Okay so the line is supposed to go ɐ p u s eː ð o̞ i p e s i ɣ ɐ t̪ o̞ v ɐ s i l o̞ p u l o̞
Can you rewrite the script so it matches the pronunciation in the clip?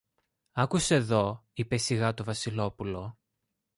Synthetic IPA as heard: ɐ k u s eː ð o̞ i p e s i ɣ ɐ t̪ o̞ v ɐ s i l o̞ p u l o̞